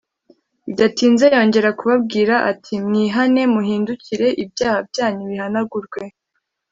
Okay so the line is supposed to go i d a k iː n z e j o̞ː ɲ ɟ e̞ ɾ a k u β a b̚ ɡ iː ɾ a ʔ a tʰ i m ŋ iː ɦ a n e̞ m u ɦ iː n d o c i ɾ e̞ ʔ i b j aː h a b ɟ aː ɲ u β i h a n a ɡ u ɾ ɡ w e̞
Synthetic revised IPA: i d a t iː n z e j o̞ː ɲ ɟ e̞ ɾ a k u β a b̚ ɡ iː ɾ a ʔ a tʰ i m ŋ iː ɦ a n e̞ m u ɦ iː n d u c i ɾ e̞ ʔ i b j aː h a b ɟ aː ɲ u β i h a n a ɡ u ɾ ɡ w e̞